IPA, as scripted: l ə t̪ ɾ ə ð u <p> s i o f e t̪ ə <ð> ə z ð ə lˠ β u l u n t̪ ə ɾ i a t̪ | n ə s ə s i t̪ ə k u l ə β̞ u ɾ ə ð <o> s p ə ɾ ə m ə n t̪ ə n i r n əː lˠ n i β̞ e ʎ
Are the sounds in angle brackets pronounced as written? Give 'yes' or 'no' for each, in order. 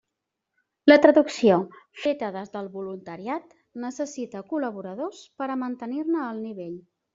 no, yes, yes

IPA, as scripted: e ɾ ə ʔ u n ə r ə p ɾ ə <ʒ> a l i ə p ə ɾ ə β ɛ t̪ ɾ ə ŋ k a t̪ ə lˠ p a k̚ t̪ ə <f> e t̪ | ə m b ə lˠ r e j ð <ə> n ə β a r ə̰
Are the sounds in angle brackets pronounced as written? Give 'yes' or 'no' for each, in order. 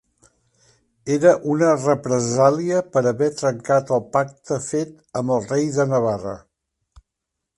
no, yes, yes

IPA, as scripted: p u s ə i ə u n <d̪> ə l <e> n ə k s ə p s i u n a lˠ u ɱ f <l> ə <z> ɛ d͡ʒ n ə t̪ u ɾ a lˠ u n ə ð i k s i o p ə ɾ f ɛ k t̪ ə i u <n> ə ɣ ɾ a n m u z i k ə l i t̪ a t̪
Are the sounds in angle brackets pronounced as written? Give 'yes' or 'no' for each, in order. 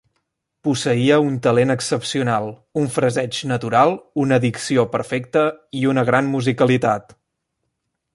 no, yes, no, yes, yes

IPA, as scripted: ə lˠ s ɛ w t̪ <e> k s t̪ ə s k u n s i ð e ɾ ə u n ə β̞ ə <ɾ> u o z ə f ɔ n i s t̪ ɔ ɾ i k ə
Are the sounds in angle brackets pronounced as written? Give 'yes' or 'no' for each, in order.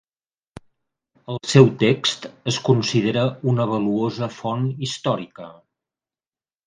yes, no

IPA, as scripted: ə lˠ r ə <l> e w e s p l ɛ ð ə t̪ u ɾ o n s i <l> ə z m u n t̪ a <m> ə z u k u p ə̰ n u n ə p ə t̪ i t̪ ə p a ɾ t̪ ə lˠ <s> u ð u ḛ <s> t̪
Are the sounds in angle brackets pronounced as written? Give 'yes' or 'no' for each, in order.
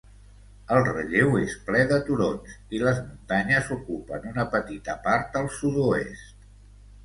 no, yes, no, yes, yes

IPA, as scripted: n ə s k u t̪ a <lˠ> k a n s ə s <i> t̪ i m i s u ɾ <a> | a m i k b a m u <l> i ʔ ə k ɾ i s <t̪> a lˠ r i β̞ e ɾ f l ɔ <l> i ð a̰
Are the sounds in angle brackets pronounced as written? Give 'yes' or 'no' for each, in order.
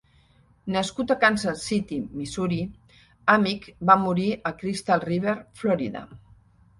no, yes, no, no, yes, no

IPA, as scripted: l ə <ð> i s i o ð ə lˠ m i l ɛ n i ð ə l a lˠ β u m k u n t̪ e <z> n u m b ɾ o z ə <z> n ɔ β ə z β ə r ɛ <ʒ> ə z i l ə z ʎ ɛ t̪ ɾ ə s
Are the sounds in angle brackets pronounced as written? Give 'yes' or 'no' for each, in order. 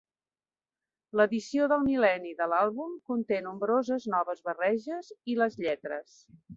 yes, no, yes, yes

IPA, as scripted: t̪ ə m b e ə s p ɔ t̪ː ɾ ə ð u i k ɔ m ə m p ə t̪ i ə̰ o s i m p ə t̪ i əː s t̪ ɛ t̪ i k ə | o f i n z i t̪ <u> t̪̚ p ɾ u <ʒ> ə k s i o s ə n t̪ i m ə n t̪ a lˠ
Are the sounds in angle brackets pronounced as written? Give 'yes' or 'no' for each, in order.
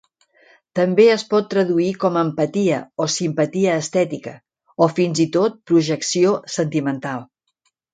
no, yes

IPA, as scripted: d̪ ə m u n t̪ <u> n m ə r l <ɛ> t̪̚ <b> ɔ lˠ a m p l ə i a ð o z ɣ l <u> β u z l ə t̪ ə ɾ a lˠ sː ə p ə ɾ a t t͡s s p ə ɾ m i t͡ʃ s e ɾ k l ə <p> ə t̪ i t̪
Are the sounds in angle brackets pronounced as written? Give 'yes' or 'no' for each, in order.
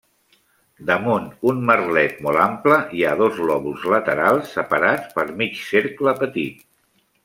yes, yes, no, no, yes

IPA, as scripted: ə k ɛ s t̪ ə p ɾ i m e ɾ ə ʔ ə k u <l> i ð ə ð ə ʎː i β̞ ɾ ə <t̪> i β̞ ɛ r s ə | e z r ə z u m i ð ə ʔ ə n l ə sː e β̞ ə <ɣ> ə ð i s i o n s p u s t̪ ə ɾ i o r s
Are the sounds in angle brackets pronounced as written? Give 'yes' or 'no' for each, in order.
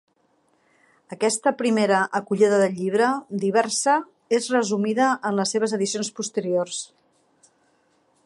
no, no, no

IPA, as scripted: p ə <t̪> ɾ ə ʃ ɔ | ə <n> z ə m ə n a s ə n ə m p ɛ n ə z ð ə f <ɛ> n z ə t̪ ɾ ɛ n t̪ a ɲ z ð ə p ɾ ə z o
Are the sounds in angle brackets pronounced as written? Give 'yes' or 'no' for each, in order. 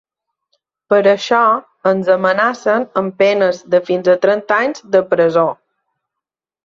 no, yes, no

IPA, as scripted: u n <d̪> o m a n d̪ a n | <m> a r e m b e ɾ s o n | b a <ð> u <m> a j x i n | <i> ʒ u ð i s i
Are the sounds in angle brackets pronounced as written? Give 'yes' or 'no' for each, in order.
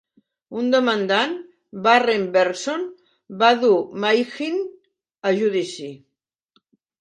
yes, no, yes, yes, no

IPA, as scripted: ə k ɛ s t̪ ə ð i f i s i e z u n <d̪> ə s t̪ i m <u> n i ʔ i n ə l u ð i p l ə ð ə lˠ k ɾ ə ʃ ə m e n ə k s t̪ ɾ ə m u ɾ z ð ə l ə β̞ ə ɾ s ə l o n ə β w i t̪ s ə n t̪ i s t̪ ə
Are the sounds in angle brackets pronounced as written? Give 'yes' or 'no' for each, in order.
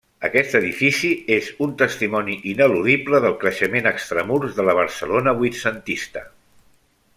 no, no

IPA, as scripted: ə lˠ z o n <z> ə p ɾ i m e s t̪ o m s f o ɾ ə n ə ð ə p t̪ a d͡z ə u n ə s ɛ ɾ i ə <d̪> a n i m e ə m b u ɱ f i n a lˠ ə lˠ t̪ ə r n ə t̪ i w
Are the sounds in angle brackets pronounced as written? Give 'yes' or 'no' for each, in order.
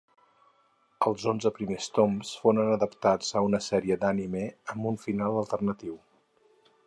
yes, yes

